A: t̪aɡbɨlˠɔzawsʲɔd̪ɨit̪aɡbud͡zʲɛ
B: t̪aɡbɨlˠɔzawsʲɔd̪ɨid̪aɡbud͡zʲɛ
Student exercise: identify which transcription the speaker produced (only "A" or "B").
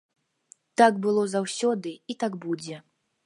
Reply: A